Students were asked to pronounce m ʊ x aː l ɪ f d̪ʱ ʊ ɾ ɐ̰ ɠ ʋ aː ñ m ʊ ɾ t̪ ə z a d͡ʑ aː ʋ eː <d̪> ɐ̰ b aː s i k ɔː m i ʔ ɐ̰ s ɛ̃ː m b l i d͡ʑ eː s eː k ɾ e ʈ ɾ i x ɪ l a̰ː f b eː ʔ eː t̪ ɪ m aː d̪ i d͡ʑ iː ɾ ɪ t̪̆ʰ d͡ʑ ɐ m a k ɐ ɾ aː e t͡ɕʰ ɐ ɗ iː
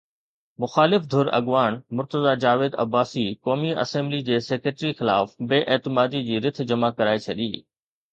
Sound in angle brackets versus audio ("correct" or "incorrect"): correct